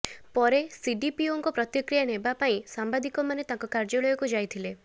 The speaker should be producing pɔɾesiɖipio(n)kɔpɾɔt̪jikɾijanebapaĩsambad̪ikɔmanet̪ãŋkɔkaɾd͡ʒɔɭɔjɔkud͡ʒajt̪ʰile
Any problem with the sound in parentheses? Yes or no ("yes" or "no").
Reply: yes